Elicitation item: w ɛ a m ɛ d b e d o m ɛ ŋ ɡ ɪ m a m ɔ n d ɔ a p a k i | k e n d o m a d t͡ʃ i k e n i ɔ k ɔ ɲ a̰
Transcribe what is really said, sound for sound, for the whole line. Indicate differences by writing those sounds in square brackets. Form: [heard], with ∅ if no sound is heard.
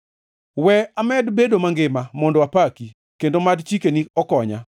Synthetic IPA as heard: w ɛ a m ɛ d b e d o m [a] ŋ ɡ ɪ m a m ɔ n d ɔ a p a k i | k e n d o m a d t͡ʃ i k e n i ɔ k ɔ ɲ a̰